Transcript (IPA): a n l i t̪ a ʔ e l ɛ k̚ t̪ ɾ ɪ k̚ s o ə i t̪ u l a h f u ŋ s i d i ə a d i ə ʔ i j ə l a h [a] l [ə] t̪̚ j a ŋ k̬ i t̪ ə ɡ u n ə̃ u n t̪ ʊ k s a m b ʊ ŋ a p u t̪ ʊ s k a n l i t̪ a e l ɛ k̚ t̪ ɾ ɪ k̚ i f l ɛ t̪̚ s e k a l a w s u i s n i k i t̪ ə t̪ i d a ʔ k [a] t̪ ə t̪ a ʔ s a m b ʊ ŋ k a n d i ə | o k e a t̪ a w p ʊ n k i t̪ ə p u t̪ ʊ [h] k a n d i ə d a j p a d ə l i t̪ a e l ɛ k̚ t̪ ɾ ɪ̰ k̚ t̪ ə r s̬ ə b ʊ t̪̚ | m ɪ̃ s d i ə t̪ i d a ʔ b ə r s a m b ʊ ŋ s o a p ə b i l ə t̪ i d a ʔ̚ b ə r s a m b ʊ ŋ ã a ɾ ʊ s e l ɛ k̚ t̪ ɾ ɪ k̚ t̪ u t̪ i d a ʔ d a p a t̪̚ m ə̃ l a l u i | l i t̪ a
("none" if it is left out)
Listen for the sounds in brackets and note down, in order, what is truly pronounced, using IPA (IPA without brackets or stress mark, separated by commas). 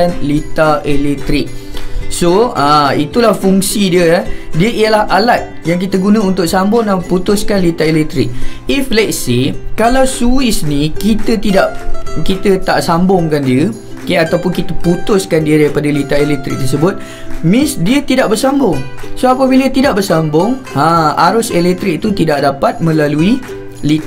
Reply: a, a, i, s